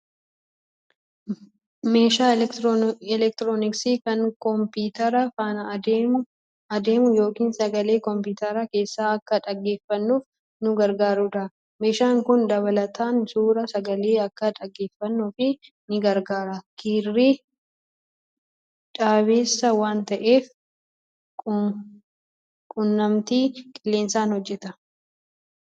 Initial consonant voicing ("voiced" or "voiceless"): voiced